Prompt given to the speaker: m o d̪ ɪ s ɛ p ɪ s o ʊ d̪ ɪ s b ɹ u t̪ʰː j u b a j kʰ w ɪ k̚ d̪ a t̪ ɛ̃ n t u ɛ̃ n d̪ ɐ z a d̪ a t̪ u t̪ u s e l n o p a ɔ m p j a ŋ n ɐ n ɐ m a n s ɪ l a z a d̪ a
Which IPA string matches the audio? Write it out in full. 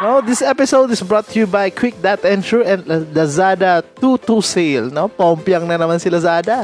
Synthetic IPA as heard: n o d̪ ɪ s ɛ p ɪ s o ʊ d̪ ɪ s b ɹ ɔ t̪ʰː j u b a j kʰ w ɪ k̚ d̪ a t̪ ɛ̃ n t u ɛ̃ n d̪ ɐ z a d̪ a t̪ u t̪ u s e l n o p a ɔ m p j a ŋ n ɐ n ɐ m a n s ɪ l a z a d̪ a